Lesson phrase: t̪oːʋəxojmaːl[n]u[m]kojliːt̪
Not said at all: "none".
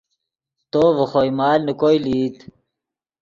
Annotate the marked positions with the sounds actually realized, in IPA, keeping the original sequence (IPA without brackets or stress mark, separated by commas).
n, none